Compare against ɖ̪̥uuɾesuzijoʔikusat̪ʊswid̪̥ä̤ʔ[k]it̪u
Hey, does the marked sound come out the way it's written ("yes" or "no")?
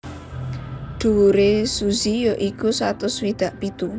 no